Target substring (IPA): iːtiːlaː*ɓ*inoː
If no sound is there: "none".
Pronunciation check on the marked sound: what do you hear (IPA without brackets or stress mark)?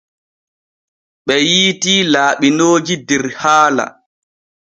ɓ